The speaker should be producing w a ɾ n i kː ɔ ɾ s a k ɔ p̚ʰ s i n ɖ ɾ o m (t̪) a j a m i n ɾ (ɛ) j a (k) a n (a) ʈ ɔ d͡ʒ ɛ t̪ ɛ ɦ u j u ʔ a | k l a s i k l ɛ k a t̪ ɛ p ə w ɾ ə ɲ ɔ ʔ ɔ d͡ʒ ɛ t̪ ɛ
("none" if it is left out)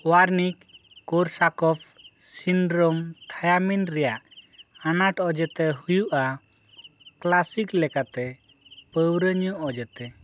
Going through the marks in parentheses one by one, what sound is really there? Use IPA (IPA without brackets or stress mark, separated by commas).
t̪ʰ, ɛ, ʔ, a